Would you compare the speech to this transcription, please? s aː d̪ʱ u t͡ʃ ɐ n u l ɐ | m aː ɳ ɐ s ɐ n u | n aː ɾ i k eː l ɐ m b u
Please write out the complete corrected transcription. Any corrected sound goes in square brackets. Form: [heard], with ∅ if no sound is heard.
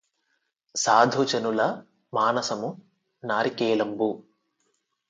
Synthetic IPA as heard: s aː d̪ʱ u t͡ʃ ɐ n u l ɐ | m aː [n] ɐ s ɐ [m] u | n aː ɾ i k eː l ɐ m b u